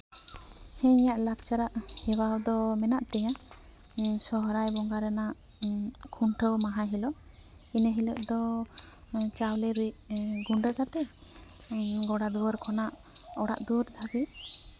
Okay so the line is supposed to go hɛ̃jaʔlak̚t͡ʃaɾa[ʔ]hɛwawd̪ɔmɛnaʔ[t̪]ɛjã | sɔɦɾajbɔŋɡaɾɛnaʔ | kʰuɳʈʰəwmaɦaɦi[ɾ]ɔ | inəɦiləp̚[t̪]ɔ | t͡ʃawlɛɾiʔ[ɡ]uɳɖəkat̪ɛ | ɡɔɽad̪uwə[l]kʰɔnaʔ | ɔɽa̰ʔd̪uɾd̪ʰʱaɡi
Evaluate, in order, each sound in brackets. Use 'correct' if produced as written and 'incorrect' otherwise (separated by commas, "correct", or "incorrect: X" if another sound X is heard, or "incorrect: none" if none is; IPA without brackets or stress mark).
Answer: correct, correct, incorrect: l, incorrect: d̪, correct, incorrect: ɾ